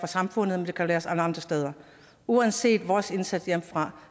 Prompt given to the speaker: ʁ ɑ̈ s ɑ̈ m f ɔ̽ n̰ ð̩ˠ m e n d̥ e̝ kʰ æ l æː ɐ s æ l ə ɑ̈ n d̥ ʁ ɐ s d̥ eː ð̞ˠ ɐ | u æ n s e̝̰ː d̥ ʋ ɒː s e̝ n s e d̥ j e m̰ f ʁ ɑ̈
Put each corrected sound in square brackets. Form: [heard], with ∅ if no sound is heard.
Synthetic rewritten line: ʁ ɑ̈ s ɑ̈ m f ɔ̽ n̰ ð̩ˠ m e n d̥ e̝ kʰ æ l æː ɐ s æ l ə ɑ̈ n d̥ ʁ ɐ s d̥ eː ð̞ˠ ɐ | u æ n s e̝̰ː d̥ ʋ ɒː s e̝ n s [æ] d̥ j e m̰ f ʁ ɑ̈